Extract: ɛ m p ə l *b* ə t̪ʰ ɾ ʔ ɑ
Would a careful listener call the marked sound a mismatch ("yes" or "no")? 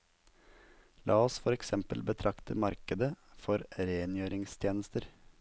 no